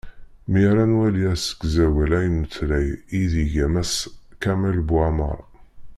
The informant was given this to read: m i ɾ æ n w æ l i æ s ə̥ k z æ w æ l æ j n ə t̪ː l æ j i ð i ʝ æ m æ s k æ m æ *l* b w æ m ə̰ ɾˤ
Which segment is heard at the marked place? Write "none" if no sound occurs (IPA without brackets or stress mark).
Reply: l